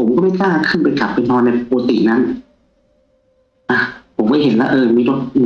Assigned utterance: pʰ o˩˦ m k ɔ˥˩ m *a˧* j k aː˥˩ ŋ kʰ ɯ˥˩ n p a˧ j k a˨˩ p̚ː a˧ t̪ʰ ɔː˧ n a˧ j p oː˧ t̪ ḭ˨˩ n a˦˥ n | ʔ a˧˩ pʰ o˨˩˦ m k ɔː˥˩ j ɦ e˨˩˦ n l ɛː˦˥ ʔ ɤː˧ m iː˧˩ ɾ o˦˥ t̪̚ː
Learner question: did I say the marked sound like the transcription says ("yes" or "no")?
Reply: no